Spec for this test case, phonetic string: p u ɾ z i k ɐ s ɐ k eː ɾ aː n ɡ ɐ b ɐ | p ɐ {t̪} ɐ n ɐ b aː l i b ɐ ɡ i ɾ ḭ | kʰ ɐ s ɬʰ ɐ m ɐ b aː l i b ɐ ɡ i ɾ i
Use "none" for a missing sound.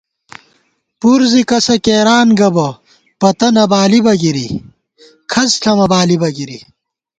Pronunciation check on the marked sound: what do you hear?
t̪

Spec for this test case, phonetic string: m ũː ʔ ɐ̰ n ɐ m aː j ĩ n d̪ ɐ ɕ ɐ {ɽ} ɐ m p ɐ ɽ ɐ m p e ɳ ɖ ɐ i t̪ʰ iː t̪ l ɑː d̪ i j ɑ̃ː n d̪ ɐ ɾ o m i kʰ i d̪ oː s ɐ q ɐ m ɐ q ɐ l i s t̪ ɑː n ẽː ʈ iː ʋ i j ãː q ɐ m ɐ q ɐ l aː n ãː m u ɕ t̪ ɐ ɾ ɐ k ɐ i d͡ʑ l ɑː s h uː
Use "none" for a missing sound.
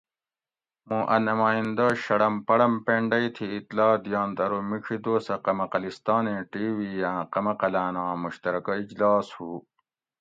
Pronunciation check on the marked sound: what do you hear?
ɽ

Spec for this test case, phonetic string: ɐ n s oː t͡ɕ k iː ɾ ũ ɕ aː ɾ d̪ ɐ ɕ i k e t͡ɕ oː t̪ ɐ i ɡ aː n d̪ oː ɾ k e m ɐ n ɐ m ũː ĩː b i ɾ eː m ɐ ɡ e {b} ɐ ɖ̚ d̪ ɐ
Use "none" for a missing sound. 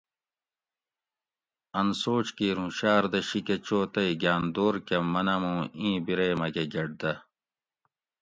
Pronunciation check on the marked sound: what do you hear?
ɡ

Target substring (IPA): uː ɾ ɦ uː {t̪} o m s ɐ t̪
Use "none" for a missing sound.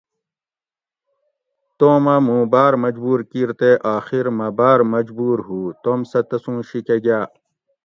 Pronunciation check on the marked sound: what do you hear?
t̪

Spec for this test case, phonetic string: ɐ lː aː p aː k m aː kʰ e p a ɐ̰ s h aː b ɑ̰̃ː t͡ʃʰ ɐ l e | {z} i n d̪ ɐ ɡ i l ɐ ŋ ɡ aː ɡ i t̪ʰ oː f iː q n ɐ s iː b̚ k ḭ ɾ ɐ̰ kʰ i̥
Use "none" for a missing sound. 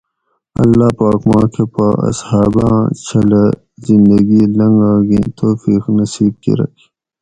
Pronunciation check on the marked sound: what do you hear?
z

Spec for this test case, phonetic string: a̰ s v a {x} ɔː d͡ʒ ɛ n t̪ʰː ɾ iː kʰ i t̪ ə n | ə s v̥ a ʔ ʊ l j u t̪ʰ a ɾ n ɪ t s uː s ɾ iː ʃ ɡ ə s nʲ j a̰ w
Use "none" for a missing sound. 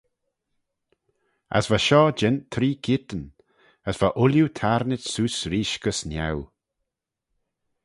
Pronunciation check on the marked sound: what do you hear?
ʃ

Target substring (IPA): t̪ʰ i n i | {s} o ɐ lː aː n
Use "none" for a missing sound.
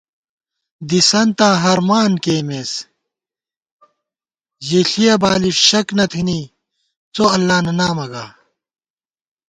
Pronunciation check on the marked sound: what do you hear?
t͡s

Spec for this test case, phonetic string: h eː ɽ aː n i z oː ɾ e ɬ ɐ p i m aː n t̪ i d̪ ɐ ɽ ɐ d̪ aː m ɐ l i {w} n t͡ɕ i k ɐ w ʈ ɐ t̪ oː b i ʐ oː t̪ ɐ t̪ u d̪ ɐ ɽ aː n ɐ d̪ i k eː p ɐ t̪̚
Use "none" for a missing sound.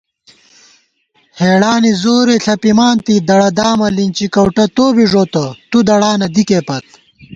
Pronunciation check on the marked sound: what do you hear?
none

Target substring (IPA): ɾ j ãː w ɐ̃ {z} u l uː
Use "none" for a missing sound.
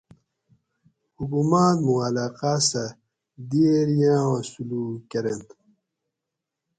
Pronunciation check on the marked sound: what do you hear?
s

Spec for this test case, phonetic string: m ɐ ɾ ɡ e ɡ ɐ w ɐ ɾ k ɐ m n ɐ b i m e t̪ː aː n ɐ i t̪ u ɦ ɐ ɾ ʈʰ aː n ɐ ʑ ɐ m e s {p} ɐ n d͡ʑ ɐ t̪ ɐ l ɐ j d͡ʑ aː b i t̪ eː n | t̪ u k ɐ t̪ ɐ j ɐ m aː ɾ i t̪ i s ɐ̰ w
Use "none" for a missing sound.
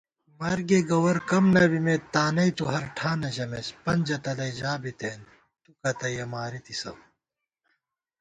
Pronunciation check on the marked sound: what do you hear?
p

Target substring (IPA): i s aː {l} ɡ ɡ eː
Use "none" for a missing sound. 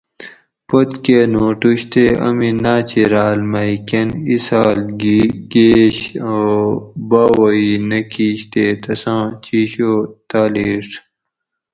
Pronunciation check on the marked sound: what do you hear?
l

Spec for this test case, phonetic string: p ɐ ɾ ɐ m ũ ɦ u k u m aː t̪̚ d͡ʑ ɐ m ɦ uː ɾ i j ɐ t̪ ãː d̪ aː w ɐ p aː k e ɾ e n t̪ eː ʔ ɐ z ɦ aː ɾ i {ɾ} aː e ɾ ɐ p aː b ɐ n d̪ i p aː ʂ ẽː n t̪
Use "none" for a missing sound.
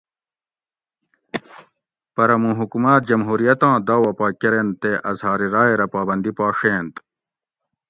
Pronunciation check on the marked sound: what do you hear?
ɾ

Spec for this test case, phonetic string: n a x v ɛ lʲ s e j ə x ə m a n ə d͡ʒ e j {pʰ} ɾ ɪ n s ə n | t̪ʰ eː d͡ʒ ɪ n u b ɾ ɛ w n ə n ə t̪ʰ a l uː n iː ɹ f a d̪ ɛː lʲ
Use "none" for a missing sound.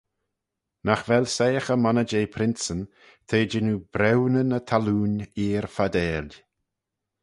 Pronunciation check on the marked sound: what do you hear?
pʰ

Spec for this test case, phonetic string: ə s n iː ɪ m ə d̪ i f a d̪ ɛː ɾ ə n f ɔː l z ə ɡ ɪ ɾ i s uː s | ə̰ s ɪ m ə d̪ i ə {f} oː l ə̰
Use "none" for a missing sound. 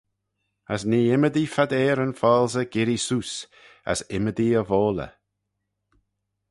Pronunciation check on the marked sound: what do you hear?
v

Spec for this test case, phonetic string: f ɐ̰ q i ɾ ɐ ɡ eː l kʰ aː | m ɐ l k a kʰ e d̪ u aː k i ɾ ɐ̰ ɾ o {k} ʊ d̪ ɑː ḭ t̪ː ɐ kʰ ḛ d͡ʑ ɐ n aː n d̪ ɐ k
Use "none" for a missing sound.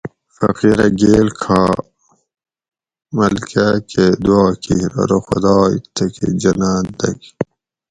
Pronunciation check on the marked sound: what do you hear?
x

